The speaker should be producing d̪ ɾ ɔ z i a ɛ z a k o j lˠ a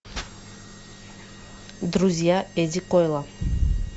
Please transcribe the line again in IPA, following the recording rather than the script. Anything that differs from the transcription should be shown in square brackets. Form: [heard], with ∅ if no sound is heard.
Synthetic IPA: d̪ ɾ [u] z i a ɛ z [i] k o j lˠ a